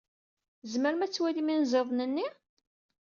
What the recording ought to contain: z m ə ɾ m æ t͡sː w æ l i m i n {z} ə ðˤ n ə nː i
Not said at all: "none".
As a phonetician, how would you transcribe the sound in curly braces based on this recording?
z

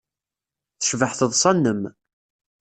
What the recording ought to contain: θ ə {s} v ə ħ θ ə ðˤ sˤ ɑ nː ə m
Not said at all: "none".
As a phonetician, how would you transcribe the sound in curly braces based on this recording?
ʃ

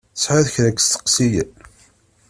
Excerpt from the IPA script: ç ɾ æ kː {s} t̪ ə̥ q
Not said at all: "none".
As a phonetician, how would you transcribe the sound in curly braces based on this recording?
s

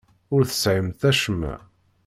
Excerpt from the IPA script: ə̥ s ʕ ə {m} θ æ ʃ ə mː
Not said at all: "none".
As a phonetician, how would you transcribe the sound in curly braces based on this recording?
m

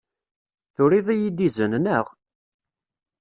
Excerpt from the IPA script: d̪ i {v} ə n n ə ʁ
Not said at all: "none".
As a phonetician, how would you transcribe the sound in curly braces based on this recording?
z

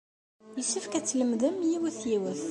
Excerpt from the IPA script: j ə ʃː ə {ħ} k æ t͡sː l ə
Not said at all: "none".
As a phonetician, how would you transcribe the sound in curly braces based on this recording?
f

